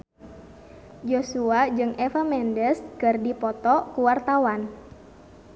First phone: d͡ʒ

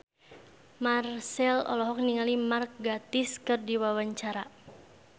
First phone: m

